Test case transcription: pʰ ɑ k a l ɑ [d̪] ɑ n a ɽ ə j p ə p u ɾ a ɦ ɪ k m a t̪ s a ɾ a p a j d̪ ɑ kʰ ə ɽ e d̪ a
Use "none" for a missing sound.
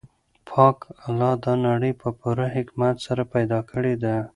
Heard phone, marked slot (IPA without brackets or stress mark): d̪